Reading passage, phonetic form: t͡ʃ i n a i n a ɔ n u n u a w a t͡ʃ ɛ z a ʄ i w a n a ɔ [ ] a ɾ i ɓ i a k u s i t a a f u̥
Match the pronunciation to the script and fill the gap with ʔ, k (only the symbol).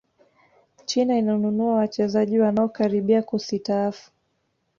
k